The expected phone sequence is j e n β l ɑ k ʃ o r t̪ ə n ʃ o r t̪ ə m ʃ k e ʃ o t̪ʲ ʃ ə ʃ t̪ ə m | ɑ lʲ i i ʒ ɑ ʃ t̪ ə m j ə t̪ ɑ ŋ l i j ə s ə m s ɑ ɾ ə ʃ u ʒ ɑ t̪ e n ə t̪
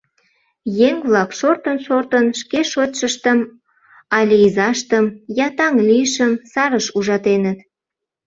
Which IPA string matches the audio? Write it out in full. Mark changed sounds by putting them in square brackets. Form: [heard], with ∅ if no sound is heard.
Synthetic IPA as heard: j e [ŋ] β l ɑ k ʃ o r t̪ ə n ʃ o r t̪ ə [n] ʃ k e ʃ o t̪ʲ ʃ ə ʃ t̪ ə m | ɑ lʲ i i [z] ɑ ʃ t̪ ə m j [ɑ] t̪ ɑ ŋ l i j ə [ʃ] ə m s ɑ ɾ ə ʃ u ʒ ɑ t̪ e n ə t̪